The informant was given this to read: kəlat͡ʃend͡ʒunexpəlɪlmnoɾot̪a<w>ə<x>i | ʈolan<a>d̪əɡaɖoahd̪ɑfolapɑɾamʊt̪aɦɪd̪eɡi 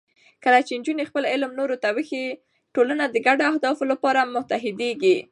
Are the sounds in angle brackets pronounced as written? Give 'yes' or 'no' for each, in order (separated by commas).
yes, yes, yes